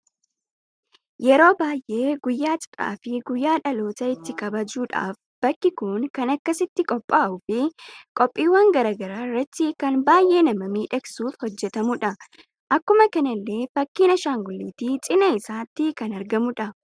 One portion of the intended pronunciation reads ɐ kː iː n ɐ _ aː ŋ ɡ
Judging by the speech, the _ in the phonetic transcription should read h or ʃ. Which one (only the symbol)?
ʃ